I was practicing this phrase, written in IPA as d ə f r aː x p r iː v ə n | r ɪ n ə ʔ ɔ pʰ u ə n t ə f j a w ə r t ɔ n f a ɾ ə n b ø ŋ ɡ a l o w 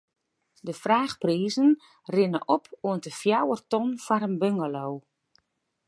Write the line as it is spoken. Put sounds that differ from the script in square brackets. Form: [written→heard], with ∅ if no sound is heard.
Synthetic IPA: d ə f r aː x p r iː [v→z] ə n | r ɪ n ə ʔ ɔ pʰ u ə n t ə f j a w ə r t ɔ n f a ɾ ə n b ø ŋ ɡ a l o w